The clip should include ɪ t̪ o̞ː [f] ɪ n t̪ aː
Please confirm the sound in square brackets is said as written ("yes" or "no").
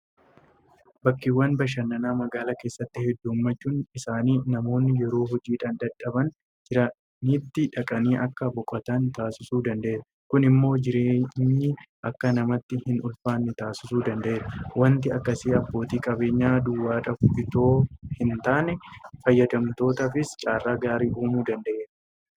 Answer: no